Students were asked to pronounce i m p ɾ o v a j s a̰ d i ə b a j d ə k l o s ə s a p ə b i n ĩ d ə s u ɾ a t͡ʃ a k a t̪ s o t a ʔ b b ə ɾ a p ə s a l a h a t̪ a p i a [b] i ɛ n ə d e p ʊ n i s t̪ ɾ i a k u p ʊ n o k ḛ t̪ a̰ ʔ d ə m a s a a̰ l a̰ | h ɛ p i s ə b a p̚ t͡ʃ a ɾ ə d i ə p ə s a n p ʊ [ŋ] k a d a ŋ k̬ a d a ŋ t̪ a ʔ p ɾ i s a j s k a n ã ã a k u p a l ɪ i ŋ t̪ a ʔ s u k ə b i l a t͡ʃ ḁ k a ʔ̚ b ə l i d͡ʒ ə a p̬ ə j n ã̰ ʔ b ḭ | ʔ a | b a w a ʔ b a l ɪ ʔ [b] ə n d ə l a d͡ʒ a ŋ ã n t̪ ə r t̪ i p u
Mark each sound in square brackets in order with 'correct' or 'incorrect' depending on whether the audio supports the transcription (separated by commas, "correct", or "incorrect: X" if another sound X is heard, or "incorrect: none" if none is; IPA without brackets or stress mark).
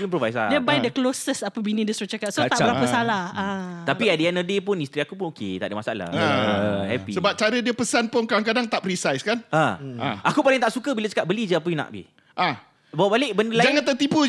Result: incorrect: d, incorrect: n, correct